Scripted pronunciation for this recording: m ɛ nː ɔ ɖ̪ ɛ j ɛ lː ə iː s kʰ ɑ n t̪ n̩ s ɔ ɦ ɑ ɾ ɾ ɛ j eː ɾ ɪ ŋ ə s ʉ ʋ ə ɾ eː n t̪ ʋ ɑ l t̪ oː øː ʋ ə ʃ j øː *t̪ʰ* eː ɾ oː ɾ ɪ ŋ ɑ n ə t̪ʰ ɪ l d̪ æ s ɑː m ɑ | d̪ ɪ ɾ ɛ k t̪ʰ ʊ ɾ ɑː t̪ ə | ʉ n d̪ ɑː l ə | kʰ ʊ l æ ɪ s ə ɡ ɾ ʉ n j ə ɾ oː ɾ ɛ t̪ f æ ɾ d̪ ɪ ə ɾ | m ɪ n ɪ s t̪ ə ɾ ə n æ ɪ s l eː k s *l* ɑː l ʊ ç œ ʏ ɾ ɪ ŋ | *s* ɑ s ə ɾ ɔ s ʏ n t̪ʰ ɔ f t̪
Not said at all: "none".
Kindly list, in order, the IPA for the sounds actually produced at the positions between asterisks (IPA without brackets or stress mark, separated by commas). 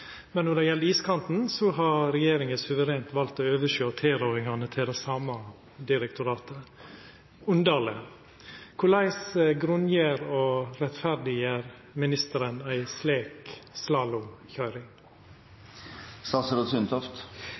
t̪ʰ, l, s